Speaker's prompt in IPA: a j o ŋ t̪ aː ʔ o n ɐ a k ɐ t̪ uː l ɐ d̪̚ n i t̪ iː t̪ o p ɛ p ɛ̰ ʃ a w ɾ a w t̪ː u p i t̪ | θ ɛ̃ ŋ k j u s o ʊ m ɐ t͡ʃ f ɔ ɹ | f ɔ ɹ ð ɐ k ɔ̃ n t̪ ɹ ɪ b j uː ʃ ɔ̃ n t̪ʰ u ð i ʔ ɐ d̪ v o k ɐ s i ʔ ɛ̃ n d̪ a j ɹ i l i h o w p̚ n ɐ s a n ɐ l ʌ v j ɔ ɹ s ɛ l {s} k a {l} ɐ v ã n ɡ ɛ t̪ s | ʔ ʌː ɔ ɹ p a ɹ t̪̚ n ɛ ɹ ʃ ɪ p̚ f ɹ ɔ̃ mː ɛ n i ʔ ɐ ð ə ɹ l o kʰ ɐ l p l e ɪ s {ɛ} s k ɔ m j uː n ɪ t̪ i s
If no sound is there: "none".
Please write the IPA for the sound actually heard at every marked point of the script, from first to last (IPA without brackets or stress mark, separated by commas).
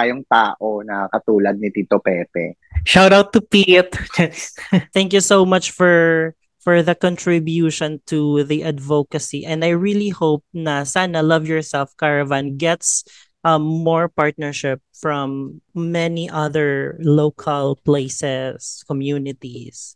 f, ɹ, ɛ